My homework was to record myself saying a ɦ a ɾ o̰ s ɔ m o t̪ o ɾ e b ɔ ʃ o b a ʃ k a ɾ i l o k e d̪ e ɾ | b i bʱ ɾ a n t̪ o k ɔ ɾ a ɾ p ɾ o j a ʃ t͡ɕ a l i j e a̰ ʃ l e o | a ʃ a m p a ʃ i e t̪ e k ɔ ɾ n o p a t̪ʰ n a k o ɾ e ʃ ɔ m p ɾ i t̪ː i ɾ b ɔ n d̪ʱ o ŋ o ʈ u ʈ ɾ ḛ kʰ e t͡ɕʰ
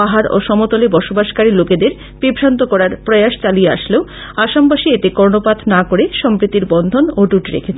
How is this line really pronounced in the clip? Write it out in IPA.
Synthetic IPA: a ɦ a ɾ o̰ ʃ ɔ m o t̪ o l e b ɔ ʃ o b a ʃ k a ɾ i l o k e d̪ e ɾ | b i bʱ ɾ a n t̪ o k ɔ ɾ a ɾ p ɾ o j a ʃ t͡ɕ a l i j e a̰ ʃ l e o | a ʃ a m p a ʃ i e t̪ e k ɔ ɾ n o p a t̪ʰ n a k o ɾ e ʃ ɔ m p ɾ i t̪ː i ɾ b ɔ n d̪ʱ o n o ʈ u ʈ ɾ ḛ kʰ e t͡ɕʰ

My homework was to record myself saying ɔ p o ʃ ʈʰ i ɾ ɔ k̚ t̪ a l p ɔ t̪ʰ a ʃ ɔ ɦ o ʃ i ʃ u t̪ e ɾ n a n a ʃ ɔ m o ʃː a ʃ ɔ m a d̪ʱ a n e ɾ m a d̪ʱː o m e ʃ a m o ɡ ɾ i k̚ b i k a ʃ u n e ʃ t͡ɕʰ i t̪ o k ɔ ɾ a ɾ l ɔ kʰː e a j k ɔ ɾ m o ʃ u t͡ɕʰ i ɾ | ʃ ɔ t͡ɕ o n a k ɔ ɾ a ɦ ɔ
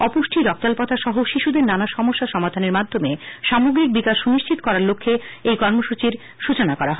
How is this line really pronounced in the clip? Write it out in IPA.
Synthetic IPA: ɔ p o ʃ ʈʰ i ɾ ɔ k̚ t̪ a l p ɔ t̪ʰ a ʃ ɔ ɦ o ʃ i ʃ u d̪ e ɾ n a n a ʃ ɔ m o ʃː a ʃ ɔ m a d̪ʱ a n e ɾ m a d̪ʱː o m e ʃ a m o ɡ ɾ i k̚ b i k a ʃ u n i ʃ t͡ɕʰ i t̪ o k ɔ ɾ a ɾ l o kʰː e e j k ɔ ɾ m o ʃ u t͡ɕ i ɾ | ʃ u t͡ɕ o n a k ɔ ɾ a ɦ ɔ

